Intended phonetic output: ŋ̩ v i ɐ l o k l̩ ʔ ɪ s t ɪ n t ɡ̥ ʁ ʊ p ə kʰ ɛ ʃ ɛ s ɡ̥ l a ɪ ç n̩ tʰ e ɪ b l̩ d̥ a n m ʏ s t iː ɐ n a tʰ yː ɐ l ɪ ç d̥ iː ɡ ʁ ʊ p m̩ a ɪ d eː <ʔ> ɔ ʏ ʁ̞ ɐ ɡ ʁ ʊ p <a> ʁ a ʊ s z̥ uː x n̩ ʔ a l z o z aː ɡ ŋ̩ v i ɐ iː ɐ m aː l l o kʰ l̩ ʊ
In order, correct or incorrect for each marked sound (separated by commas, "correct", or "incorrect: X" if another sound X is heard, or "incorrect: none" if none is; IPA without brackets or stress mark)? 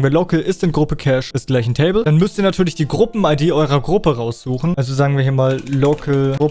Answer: correct, incorrect: ə